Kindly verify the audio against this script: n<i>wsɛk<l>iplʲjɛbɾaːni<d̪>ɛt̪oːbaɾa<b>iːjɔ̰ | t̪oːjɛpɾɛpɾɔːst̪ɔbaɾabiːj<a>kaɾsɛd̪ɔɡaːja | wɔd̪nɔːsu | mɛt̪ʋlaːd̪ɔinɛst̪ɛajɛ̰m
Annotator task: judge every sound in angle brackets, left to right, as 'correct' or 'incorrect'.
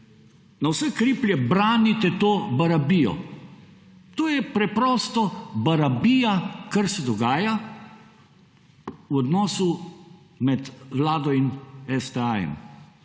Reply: incorrect, incorrect, incorrect, correct, correct

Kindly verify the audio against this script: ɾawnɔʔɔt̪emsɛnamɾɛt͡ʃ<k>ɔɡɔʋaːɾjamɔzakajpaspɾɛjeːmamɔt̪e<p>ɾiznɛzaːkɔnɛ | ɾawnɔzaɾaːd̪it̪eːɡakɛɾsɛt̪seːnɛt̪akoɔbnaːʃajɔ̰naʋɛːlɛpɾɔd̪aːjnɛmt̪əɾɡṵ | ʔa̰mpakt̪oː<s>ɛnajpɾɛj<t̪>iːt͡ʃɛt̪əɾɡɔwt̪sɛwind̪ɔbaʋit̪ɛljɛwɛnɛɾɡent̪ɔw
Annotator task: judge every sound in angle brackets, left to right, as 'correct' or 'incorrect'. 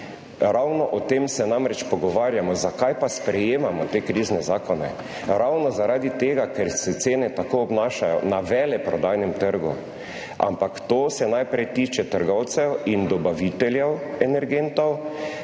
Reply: incorrect, incorrect, correct, correct

